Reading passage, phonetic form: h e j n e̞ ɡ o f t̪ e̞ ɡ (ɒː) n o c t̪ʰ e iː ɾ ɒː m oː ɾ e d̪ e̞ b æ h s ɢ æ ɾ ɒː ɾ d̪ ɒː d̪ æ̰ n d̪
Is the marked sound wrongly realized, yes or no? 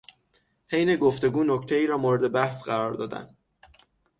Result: yes